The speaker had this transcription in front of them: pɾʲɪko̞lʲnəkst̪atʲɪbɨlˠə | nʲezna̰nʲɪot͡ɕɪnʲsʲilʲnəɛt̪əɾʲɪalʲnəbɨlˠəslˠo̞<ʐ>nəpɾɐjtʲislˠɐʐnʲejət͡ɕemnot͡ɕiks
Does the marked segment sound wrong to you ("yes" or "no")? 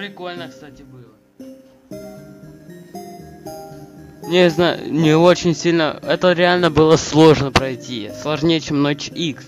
no